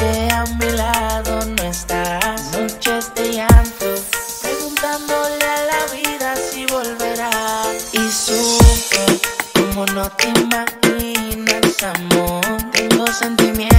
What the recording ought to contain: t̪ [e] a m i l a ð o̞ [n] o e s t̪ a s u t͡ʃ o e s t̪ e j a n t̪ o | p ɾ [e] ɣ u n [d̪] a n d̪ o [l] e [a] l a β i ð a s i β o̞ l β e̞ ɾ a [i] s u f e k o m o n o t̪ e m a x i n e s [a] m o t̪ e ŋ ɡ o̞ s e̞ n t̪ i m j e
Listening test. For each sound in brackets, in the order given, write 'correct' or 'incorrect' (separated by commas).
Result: correct, correct, correct, incorrect, correct, correct, correct, correct